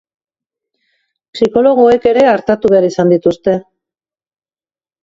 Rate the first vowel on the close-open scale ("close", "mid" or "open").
close